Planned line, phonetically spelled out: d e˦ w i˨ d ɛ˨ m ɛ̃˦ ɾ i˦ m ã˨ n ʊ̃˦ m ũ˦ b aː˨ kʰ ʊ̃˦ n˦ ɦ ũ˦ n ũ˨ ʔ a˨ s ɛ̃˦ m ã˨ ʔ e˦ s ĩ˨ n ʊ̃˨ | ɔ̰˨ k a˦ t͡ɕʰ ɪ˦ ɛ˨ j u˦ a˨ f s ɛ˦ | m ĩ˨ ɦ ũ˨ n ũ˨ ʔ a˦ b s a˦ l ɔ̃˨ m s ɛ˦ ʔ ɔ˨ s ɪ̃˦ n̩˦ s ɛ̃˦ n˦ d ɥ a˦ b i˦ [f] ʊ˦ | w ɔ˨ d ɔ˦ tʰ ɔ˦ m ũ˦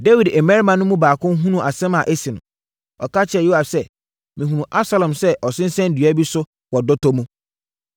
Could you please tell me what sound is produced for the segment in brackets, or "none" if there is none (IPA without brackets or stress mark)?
s